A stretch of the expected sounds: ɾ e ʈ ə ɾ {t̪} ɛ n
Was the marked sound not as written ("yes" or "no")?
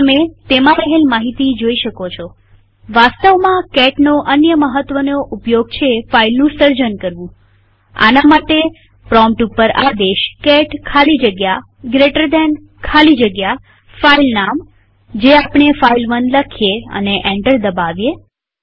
yes